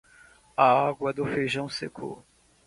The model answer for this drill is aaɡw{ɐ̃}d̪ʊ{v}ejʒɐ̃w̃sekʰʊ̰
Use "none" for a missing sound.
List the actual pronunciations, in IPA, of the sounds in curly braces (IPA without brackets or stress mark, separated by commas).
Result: ɐ, f